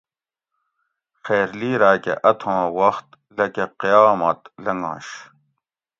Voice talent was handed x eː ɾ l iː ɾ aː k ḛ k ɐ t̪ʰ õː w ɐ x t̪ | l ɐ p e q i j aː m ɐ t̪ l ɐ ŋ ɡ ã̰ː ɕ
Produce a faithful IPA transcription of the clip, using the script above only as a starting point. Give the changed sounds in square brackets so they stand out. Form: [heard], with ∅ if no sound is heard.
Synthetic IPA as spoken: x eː ɾ l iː ɾ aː k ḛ [ʔ] ɐ t̪ʰ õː w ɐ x t̪ | l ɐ [k] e q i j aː m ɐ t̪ l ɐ ŋ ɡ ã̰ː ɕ